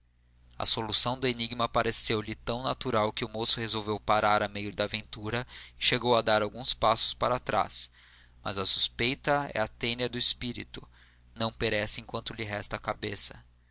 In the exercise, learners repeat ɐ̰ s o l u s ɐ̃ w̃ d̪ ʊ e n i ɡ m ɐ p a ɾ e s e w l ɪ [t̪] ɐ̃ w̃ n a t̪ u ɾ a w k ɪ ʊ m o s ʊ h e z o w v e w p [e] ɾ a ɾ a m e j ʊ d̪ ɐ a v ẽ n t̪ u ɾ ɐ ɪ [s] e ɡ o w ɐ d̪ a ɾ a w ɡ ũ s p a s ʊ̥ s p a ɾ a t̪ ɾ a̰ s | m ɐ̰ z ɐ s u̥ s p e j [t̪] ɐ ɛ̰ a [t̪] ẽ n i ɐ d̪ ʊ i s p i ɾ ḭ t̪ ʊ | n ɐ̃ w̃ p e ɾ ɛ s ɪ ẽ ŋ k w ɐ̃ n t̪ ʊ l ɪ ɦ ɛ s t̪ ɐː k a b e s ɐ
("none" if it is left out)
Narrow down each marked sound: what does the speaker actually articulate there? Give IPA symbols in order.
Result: t̪, a, ʃ, t̪, t̪

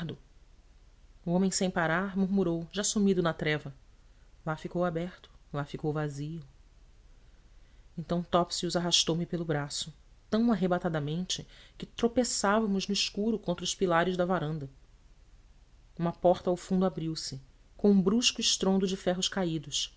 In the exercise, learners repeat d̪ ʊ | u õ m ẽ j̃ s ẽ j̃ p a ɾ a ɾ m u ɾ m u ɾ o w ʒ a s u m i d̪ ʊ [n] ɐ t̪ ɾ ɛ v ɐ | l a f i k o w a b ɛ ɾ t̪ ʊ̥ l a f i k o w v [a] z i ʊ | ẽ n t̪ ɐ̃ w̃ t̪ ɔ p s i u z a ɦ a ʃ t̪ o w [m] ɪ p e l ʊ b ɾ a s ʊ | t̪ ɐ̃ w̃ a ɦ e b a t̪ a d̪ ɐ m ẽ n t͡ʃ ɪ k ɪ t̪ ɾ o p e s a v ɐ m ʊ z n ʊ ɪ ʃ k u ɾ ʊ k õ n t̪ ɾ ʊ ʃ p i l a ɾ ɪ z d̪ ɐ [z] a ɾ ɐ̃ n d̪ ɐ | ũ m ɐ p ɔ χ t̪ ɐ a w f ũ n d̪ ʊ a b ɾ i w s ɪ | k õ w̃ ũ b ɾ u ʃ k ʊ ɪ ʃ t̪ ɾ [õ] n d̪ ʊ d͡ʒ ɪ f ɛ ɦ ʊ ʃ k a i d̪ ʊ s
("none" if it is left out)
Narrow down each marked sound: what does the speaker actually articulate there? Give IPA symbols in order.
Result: n, a, m, v, õ

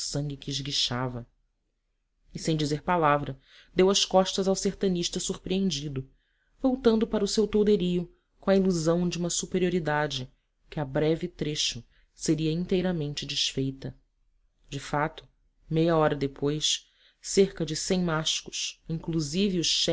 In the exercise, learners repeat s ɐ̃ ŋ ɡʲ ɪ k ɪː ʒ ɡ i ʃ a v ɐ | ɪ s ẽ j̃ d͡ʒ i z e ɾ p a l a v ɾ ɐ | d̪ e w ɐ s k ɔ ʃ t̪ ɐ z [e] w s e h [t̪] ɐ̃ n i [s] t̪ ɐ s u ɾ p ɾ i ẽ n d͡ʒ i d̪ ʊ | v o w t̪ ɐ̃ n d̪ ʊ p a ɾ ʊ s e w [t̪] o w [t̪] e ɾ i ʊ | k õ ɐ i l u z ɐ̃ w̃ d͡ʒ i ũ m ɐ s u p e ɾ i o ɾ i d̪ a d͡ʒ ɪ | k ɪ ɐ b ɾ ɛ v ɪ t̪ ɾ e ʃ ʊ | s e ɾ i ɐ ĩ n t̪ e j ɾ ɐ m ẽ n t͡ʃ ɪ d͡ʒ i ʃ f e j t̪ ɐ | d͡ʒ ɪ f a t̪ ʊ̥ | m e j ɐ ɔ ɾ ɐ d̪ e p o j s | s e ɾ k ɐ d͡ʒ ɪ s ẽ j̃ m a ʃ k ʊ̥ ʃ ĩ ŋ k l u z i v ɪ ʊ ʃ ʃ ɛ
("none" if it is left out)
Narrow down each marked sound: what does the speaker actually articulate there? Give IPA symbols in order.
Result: a, t̪, ʃ, t̪, d̪

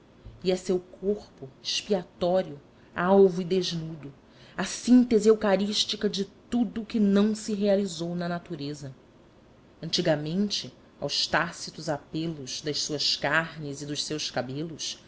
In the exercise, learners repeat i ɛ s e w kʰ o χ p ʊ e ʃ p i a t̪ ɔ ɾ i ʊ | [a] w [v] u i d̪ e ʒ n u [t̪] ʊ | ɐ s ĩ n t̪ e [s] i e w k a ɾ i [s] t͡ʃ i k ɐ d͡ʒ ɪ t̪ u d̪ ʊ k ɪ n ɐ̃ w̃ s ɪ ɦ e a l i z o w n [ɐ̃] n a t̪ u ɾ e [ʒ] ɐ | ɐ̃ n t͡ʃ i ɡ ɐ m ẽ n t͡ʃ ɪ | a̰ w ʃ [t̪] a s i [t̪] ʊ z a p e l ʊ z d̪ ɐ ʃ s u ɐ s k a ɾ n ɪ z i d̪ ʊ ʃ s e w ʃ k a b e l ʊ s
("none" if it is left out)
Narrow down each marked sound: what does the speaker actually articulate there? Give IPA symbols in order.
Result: a, v, d̪, z, ʃ, ɐ, z, t̪, t̪

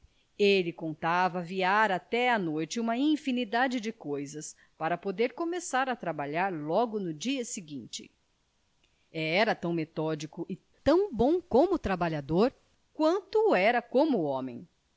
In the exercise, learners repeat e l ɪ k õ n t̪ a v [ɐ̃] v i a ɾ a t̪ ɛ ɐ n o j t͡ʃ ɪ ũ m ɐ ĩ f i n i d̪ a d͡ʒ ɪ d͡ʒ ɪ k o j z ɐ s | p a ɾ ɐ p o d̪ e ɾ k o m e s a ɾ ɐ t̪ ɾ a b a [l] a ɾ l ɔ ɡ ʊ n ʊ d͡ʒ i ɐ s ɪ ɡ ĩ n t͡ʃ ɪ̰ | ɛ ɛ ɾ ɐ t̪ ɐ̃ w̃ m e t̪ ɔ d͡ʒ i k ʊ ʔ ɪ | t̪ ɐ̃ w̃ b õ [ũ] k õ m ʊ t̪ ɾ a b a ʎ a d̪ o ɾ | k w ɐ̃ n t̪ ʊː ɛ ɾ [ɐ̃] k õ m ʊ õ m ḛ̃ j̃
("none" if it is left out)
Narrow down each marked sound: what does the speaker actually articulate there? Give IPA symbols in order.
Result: ɐ, ʎ, w̃, ɐ

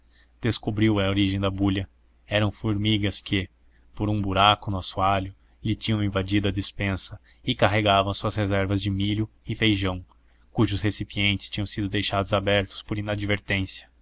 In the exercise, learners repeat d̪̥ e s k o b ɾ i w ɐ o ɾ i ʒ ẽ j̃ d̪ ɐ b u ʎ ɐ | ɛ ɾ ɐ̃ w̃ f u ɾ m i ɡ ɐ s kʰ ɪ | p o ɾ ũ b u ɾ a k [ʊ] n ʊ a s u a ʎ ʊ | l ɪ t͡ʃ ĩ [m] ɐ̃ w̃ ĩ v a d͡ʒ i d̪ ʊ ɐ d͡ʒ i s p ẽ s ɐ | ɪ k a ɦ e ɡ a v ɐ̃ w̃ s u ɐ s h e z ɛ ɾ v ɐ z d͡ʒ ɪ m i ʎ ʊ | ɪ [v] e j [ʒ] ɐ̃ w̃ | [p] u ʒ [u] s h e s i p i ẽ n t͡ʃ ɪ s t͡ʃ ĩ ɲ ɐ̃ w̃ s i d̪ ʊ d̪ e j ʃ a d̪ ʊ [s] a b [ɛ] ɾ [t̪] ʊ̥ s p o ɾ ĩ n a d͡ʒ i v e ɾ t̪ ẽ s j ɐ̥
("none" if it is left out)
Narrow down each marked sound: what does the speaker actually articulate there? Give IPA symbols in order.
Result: ʊ, ɲ, f, ʒ, k, ʊ, z, ɛ, t̪

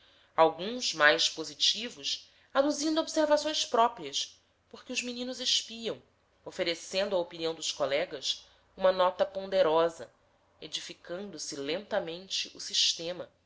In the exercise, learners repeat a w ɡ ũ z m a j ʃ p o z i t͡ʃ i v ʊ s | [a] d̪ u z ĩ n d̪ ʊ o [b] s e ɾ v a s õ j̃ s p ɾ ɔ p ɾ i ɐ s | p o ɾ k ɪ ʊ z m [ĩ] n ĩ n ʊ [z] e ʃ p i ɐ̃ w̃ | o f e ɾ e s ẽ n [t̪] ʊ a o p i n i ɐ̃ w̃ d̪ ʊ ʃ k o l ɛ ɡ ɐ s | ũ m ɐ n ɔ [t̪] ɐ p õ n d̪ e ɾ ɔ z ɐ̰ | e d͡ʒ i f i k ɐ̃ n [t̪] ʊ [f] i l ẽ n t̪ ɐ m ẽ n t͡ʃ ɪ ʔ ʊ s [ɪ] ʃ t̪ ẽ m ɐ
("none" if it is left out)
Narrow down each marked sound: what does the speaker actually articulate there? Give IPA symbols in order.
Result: a, b, i, z, d̪, t̪, d̪, s, i

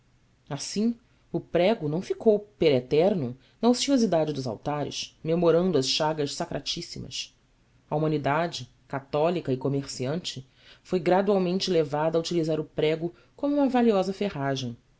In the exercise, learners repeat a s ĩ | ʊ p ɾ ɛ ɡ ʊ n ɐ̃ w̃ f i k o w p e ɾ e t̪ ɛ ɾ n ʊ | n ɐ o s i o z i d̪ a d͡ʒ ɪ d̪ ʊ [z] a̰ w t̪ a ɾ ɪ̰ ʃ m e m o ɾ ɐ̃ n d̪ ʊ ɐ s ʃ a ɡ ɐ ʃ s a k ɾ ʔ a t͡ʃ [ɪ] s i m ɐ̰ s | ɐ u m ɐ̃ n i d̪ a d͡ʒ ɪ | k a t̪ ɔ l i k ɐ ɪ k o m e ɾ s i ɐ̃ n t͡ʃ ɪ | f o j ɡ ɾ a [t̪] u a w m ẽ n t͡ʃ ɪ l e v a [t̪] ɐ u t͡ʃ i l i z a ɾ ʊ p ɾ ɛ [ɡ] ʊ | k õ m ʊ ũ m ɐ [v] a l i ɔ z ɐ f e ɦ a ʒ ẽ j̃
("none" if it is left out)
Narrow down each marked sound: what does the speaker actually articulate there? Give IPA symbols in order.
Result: z, i, d̪, d̪, ɡ, v

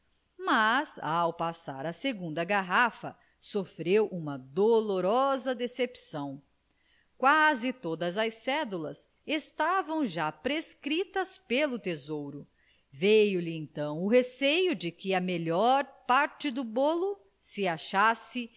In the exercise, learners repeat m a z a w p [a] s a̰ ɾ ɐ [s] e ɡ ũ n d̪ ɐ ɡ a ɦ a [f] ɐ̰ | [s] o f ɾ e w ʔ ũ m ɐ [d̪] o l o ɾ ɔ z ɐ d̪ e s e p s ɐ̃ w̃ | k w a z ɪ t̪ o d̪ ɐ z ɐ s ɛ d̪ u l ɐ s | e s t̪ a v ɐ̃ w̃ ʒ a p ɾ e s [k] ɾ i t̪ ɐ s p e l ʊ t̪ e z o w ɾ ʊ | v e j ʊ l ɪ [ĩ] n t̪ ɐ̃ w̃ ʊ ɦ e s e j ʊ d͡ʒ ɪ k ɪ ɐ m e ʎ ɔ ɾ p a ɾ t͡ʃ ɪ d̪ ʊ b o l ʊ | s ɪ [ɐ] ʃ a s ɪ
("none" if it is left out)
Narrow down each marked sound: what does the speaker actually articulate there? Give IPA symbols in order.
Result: a, s, f, s, d̪, k, ẽ, a

